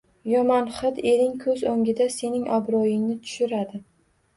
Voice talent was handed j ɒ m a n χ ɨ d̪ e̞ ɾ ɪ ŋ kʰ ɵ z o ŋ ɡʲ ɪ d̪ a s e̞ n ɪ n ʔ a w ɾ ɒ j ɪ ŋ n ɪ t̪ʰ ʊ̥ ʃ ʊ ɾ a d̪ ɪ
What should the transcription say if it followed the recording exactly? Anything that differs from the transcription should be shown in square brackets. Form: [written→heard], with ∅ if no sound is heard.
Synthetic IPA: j ɒ m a n χ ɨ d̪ e̞ ɾ ɪ ŋ kʰ ɵ z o ŋ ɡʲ ɪ d̪ a s e̞ n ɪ [n→ŋ] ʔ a [w→b] ɾ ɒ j ɪ ŋ n ɪ t̪ʰ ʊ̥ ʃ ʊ ɾ a d̪ ɪ